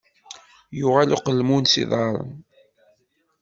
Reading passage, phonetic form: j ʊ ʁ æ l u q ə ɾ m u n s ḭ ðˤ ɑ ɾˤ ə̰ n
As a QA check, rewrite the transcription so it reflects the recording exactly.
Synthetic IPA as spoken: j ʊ ʁ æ l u q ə l m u n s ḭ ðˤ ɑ ɾˤ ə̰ n